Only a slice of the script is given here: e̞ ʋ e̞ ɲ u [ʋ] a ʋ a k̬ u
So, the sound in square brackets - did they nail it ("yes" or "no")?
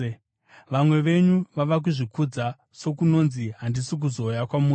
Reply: yes